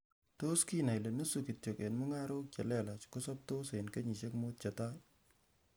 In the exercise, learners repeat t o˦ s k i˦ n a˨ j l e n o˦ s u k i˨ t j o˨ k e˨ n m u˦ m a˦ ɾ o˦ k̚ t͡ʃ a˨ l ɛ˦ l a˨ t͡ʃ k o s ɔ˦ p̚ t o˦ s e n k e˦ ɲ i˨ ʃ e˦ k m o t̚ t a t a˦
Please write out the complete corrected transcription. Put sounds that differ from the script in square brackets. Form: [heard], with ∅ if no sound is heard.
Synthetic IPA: t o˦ s k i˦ n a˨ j l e n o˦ s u k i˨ t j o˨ k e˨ n m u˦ [ŋ] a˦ ɾ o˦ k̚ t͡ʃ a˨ l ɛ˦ l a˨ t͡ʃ k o s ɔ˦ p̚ t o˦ s e n k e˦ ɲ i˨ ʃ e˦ k m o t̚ [t͡ʃ] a t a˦